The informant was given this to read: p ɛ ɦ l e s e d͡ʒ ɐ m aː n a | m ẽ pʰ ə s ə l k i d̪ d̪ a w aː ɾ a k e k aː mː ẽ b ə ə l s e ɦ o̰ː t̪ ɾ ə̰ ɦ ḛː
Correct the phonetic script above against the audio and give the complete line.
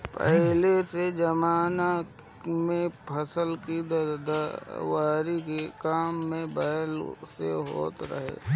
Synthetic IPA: p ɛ ɦ l e s e d͡ʒ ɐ m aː n a | m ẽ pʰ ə s ə l k i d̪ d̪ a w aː ɾ i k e k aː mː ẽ b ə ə l s e ɦ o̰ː t̪ ɾ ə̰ ɦ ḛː